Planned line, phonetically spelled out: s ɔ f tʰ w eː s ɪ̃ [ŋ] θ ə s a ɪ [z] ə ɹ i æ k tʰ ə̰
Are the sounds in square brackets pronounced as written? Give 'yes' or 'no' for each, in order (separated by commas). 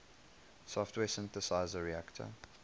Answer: no, yes